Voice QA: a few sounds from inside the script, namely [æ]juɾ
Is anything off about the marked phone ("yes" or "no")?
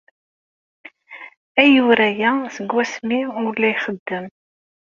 no